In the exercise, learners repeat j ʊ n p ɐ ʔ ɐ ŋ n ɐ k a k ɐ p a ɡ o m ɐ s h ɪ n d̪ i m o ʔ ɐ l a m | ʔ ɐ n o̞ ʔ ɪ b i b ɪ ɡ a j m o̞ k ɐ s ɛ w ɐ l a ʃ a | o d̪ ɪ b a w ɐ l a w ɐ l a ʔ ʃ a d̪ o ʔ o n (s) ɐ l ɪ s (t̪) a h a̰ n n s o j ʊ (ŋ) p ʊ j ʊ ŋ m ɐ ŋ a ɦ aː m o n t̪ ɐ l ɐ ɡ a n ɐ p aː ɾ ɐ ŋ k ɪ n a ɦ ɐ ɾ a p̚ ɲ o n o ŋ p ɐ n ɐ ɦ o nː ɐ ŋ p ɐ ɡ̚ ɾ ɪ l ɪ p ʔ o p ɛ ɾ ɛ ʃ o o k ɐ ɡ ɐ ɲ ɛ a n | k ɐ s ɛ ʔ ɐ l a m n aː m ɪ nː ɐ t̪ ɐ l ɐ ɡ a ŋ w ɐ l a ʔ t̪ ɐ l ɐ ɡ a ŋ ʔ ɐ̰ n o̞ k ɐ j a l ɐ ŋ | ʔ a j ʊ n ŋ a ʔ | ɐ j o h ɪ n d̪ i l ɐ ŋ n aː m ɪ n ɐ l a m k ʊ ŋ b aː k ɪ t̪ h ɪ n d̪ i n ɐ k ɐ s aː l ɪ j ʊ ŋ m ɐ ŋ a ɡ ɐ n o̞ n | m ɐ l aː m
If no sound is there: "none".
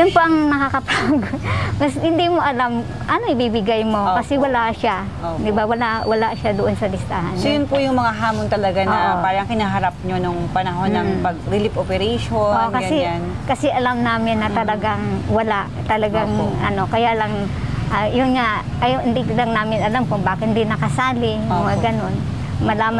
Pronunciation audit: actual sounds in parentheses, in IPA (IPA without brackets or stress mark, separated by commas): s, t̪, n